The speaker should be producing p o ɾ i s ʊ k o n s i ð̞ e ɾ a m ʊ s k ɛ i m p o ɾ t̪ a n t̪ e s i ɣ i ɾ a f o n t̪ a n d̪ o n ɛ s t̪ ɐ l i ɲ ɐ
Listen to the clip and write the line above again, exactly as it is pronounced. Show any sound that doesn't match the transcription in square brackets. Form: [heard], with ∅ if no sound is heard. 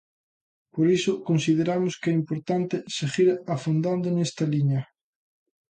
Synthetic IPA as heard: p o ɾ i s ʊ k o n s i ð̞ e ɾ a m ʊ s k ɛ i m p o ɾ t̪ a n t̪ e s [e] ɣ i ɾ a f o n [d̪] a n d̪ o n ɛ s t̪ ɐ l i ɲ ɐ